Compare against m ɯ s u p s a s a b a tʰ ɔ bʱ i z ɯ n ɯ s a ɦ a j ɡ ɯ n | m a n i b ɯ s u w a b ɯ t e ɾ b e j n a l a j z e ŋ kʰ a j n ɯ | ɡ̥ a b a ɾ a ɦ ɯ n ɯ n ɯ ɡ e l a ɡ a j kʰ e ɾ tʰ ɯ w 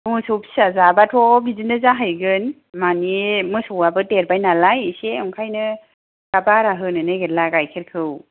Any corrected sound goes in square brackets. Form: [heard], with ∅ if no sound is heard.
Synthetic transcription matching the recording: m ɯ s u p s a [z] a b a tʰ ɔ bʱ i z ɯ n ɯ [z] a ɦ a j ɡ ɯ n | m a n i [m] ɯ s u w a b ɯ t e ɾ b [a] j n a l a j [s] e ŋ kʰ a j n ɯ | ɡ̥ a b a ɾ a ɦ ɯ n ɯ n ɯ ɡ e l a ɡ a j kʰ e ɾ [kʰ] ɯ w